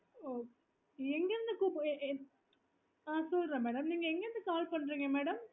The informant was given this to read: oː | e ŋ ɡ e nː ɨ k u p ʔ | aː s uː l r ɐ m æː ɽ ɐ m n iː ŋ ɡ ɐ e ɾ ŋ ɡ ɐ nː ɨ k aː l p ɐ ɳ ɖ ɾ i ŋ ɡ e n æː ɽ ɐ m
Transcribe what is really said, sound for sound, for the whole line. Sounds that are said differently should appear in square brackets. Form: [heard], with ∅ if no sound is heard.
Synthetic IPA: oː | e ŋ ɡ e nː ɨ k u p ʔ | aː s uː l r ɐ m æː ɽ ɐ m n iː ŋ ɡ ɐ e [∅] ŋ ɡ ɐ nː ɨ k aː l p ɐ ɳ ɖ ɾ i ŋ ɡ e [m] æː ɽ ɐ m